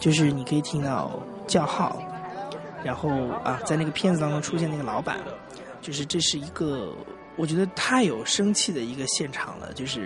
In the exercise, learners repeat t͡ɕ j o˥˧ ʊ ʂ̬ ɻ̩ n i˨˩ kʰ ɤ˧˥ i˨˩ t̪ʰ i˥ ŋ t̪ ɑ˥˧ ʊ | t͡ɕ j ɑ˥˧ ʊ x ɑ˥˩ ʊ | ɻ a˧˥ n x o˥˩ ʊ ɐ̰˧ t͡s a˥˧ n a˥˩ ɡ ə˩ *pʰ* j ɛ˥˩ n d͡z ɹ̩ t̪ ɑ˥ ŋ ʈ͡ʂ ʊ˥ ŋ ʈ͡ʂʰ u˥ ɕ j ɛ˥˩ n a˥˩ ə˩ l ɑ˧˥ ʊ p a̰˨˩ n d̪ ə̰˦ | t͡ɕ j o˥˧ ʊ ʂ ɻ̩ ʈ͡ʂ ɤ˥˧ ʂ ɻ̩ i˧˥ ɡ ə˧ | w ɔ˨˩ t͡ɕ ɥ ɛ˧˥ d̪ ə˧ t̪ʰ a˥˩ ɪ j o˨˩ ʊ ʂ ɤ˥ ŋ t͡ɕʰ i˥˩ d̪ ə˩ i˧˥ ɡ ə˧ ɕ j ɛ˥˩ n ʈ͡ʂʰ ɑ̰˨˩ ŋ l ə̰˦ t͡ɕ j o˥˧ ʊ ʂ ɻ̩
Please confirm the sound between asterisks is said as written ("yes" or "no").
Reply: yes